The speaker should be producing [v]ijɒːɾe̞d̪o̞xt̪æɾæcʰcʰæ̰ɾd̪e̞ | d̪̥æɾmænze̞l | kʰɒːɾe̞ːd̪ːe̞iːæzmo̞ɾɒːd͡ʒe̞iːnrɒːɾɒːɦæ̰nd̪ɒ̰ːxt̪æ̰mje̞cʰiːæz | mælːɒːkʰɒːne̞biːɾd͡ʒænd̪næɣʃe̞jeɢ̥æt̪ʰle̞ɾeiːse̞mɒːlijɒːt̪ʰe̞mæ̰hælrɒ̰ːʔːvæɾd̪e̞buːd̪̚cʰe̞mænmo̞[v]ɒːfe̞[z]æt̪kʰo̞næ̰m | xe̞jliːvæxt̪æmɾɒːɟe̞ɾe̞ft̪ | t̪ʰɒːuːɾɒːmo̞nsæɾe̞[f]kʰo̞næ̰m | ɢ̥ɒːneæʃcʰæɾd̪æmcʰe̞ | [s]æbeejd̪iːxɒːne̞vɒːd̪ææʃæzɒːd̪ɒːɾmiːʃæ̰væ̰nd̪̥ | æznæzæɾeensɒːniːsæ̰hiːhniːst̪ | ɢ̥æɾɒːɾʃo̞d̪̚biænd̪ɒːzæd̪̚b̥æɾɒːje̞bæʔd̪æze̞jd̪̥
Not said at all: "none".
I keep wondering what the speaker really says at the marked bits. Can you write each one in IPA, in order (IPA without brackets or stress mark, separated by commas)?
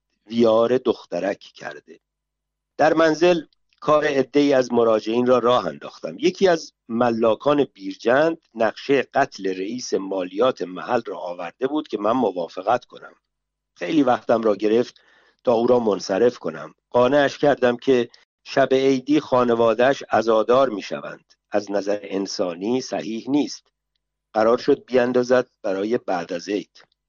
v, v, ɣ, f, ʃ